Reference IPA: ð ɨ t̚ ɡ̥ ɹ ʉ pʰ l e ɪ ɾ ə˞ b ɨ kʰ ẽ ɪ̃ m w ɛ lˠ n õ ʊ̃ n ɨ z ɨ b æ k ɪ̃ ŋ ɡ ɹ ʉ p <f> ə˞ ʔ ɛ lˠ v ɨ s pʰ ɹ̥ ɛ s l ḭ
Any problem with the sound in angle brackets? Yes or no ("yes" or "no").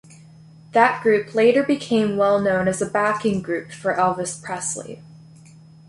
no